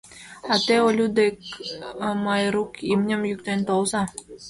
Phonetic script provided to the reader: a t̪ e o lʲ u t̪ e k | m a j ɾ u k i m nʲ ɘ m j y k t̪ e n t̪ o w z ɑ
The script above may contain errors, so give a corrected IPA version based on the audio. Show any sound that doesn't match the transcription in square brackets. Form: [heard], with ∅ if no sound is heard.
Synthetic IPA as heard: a t̪ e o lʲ u [d̪] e k | m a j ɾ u k i m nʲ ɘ m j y k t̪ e n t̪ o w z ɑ